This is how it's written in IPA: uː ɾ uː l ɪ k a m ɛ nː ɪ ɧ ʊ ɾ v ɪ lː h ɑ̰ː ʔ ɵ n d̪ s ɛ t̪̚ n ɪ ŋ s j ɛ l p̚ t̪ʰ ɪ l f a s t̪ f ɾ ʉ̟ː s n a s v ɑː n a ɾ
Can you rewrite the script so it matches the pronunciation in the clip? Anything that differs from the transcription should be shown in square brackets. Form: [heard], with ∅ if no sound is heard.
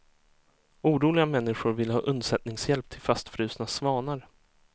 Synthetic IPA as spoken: uː ɾ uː l ɪ [ɡ] a m ɛ nː ɪ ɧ ʊ ɾ v ɪ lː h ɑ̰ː ʔ ɵ n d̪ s ɛ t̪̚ n ɪ ŋ s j ɛ l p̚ t̪ʰ ɪ l f a s t̪ f ɾ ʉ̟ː s n a s v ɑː n a ɾ

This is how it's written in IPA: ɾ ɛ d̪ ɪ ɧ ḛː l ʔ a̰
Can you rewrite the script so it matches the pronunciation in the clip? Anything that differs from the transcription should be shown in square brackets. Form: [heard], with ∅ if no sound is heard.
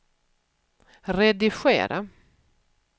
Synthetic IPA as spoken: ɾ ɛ d̪ ɪ ɧ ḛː [ɾ] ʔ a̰

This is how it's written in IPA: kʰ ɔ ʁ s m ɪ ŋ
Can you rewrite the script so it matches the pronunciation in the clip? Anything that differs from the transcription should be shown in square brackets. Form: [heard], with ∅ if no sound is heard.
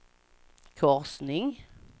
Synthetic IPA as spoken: kʰ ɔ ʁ s [n] ɪ ŋ

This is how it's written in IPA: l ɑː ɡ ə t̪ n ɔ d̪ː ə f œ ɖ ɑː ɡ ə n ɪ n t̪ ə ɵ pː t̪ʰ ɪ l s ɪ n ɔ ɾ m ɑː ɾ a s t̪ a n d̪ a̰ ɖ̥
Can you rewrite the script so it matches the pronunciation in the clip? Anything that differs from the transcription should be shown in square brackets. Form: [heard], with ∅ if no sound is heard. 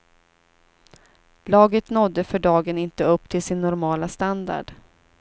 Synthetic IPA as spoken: l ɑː ɡ ə t̪ n ɔ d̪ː ə f œ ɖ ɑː ɡ ə n ɪ n t̪ ə ɵ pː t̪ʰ ɪ l s ɪ [nː] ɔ ɾ m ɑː [l] a s t̪ a n d̪ a̰ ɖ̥

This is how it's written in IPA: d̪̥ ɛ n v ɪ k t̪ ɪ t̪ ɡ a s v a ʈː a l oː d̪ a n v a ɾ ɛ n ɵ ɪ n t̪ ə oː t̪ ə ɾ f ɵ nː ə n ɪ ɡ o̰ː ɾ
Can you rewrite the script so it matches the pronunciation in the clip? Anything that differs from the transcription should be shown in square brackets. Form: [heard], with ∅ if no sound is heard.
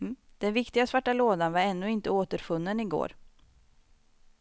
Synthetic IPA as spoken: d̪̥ ɛ n v ɪ k t̪ ɪ [∅] ɡ a s v a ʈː a l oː d̪ a n v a ɾ ɛ [nː] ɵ ɪ n t̪ ə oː t̪ ə ɾ f ɵ nː ə n ɪ ɡ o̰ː ɾ

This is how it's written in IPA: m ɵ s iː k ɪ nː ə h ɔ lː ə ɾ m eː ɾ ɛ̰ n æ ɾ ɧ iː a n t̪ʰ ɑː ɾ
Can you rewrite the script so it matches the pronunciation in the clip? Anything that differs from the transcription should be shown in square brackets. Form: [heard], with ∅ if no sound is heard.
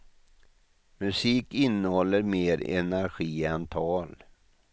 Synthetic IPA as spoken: m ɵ s iː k ɪ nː ə h ɔ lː ə ɾ m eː ɾ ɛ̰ n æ ɾ ɧ iː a n t̪ʰ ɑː [l]

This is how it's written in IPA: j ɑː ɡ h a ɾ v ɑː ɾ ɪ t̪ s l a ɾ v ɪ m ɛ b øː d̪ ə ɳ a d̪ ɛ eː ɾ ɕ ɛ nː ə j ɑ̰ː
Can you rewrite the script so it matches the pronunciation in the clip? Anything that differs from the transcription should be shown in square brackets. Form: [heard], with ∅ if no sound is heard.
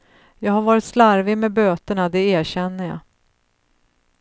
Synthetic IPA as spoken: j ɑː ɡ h a ɾ v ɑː ɾ ɪ t̪ s l a ɾ v ɪ m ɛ b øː [t̪] ə ɳ a d̪ ɛ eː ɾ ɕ ɛ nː ə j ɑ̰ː

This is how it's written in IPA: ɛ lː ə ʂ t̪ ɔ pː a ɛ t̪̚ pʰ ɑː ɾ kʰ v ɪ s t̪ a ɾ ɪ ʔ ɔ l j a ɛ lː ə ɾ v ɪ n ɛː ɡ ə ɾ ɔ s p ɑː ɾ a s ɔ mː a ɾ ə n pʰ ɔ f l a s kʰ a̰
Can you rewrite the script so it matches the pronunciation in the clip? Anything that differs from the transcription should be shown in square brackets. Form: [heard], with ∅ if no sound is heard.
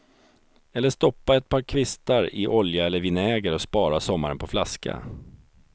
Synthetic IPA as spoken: ɛ lː ə ʂ t̪ ɔ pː a ɛ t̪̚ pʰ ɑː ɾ kʰ v ɪ s t̪ a ɾ ɪ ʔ ɔ l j a ɛ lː ə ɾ v ɪ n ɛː ɡ ə ɾ ɔ s p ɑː ɾ a s ɔ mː a ɾ ə n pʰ ɔ f l a s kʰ a̰

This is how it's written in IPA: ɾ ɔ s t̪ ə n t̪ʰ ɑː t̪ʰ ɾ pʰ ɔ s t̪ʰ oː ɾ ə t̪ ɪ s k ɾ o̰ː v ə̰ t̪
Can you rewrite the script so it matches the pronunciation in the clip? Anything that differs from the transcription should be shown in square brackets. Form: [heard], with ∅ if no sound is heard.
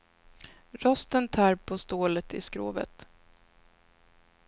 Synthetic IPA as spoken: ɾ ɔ s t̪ ə n t̪ʰ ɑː [∅] ɾ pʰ ɔ s [t̪] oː [l] ə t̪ ɪ s k ɾ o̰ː v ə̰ t̪

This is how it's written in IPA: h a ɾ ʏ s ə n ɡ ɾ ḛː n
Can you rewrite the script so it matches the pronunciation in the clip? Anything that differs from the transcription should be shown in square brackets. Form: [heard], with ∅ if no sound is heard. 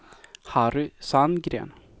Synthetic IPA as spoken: h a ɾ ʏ s [a] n ɡ ɾ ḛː n

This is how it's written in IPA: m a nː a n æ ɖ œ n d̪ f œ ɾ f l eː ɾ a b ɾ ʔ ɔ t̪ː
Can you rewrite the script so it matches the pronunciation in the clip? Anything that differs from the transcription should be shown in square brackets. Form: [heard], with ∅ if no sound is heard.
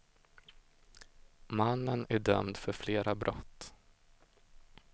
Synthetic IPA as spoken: m a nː [ə] n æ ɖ œ [m] d̪ f œ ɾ f l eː ɾ a b ɾ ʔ ɔ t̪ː

